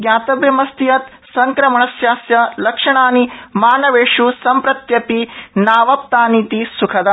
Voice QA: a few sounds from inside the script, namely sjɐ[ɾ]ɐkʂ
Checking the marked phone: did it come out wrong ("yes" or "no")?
yes